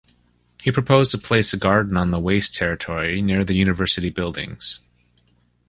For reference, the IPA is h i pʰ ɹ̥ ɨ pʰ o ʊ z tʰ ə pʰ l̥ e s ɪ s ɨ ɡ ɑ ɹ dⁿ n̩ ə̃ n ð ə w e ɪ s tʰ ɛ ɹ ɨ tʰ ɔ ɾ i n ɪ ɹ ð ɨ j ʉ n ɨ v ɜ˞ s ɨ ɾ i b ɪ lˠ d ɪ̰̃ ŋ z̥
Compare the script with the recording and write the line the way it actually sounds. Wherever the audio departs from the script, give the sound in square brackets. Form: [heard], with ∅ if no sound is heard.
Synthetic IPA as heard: h i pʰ ɹ̥ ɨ pʰ o ʊ z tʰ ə pʰ l̥ e [∅] ɪ s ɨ ɡ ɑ ɹ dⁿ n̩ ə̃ n ð ə w e ɪ s tʰ ɛ ɹ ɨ tʰ ɔ [ɹ] i n ɪ ɹ ð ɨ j ʉ n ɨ v ɜ˞ s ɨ ɾ i b ɪ lˠ d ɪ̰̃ ŋ z̥

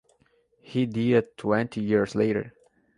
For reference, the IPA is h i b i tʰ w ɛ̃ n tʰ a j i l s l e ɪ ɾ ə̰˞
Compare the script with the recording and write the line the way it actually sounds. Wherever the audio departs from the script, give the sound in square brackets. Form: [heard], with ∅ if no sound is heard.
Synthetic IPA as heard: h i [d] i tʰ w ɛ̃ n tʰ [i] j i [ɹ] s l e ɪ ɾ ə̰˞

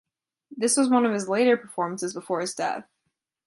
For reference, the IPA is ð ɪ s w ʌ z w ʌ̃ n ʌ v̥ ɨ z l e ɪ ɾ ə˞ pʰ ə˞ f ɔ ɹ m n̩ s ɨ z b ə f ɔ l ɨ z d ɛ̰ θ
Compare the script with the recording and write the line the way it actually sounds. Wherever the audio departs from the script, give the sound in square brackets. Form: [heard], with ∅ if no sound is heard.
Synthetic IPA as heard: ð ɪ s w ʌ z w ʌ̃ n ʌ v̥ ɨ z l e ɪ ɾ ə˞ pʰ ə˞ f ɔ ɹ m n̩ s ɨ z b ə f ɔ [ɹ] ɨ z d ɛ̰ θ

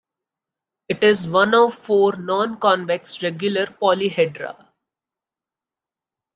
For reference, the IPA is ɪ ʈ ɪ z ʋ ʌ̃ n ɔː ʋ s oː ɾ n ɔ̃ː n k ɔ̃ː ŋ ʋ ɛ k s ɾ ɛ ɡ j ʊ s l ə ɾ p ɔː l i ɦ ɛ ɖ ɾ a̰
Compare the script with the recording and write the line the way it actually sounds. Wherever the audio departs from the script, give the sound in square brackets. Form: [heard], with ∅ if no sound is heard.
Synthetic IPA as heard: ɪ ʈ ɪ z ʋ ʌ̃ n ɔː ʋ [f] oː ɾ n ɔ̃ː n k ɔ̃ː [n] ʋ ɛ k s ɾ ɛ ɡ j ʊ [∅] l ə ɾ p ɔː l i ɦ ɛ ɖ ɾ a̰

